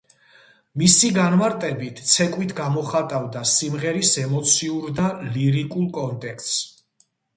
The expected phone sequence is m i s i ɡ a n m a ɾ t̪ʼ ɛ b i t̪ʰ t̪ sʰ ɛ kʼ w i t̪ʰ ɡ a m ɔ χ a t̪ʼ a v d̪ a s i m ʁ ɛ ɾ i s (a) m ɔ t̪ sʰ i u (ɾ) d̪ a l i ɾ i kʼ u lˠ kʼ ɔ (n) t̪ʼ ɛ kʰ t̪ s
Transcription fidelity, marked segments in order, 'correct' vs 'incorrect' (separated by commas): incorrect, correct, correct